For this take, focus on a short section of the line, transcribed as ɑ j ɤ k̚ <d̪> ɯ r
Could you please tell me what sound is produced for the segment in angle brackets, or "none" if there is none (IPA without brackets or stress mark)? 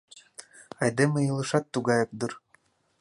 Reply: d̪